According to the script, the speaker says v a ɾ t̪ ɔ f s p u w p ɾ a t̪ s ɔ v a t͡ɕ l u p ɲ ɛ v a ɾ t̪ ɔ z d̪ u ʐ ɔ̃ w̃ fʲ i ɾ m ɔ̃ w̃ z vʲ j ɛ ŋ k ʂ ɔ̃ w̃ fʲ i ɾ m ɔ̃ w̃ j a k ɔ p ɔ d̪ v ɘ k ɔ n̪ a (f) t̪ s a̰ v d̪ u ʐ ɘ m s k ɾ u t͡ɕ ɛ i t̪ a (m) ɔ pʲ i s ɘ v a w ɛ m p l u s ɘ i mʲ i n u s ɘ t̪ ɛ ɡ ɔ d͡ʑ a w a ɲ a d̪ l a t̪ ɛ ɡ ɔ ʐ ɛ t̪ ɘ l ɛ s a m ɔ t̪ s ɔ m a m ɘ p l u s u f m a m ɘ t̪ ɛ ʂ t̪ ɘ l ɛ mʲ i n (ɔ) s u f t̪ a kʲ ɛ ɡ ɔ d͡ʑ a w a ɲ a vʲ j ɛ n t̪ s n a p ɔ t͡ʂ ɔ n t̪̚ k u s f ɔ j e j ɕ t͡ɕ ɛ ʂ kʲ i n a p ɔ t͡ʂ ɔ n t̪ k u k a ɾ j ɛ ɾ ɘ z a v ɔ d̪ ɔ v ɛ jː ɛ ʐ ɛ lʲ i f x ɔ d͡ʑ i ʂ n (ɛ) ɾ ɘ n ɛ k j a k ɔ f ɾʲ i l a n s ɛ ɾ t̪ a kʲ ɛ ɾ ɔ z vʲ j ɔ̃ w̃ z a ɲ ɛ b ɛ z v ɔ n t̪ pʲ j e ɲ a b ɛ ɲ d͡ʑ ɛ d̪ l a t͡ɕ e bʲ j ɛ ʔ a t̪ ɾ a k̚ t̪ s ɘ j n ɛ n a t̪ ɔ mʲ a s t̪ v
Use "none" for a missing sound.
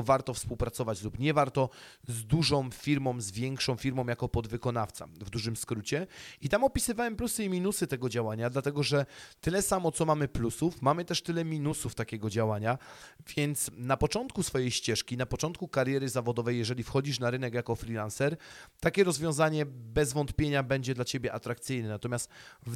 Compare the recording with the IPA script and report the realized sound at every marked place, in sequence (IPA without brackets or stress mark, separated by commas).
f, m, u, a